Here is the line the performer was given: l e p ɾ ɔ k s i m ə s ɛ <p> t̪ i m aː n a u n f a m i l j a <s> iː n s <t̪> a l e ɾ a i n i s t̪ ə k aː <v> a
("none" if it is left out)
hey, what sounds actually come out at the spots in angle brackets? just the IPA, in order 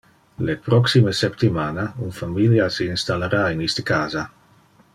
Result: p, s, t̪, z

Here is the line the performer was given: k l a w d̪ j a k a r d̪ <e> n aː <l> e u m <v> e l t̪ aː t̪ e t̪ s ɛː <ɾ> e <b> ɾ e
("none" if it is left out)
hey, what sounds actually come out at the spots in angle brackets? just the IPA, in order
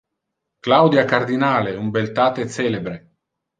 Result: i, l, b, l, b

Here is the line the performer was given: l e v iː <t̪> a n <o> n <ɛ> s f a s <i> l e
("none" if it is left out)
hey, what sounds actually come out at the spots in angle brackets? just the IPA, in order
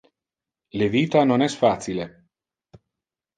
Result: t̪, o, ɛ, i

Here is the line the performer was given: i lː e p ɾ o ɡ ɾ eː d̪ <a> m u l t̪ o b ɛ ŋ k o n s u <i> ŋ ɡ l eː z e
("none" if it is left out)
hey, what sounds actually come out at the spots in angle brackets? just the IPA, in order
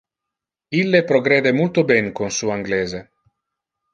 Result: e, a

